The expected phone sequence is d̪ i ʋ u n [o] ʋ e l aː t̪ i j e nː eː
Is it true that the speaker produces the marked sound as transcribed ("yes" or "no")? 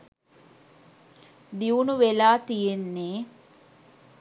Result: no